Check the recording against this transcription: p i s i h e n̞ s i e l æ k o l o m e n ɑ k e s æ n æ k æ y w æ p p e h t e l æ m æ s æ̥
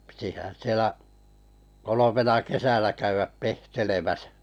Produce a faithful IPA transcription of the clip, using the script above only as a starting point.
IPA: p i t i h æ n̞ s i e l æ k o l o m e n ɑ k e s æ n æ k æ y ʋ æ p p e h t e l e m æ s æ̥